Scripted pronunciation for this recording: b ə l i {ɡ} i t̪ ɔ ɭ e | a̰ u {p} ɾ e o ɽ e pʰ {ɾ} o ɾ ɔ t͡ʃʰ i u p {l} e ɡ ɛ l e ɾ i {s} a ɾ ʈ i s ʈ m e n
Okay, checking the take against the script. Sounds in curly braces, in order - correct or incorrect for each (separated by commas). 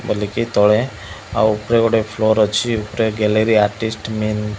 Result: incorrect, correct, incorrect, incorrect, incorrect